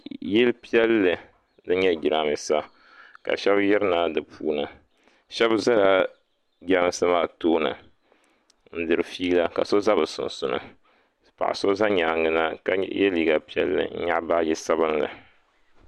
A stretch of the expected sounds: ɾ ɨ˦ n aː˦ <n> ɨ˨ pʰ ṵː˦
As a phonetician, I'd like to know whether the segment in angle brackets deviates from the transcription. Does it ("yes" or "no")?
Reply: yes